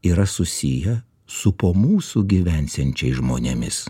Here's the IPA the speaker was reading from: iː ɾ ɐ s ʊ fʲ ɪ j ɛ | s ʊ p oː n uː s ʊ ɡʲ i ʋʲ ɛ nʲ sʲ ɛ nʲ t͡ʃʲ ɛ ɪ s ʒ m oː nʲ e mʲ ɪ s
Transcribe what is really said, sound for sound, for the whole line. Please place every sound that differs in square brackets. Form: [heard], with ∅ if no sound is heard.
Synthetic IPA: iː ɾ ɐ s ʊ [sʲ] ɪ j ɛ | s ʊ p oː [m] uː s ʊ ɡʲ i ʋʲ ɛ nʲ sʲ ɛ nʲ t͡ʃʲ ɛ ɪ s ʒ m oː nʲ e mʲ ɪ s